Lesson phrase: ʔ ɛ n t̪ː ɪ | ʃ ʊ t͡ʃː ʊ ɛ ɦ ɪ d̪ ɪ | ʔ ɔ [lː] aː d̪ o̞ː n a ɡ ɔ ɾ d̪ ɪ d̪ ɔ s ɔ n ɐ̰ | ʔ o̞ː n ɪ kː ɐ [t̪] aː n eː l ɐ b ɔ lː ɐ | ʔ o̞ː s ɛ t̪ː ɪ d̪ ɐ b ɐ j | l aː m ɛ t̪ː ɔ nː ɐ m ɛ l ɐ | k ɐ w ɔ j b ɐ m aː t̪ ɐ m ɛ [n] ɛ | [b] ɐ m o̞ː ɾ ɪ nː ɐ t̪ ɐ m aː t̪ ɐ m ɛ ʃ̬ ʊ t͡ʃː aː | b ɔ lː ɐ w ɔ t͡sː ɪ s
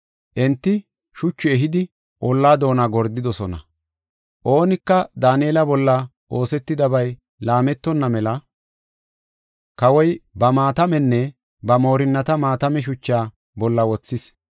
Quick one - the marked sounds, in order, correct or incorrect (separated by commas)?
correct, incorrect, incorrect, correct